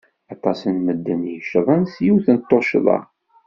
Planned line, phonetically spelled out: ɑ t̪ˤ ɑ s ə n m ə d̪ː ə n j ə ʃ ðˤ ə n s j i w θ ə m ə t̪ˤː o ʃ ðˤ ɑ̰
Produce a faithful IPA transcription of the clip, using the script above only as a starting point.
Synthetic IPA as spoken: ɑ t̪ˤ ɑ s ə n m ə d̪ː ə n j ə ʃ ðˤ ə n s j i w θ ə n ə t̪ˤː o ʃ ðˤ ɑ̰

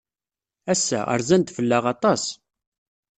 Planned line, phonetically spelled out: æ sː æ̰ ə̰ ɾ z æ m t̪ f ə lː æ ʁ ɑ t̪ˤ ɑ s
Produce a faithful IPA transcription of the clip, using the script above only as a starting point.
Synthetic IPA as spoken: æ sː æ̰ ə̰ ɾ z æ n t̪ f ə lː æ ʁ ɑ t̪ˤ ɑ s

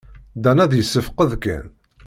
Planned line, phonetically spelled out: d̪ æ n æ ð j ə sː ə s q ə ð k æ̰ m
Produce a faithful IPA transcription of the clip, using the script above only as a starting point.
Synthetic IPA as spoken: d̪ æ n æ ð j ə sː ə f q ə ð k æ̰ n

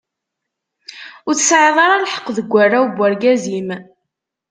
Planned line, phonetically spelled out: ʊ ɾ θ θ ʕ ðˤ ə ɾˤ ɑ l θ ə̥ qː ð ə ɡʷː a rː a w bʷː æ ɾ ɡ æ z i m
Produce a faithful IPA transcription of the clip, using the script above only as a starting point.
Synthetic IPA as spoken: ʊ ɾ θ s ʕ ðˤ ɑ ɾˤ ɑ l ħ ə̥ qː ð ə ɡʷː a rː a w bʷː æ ɾ ɡ æ z i m

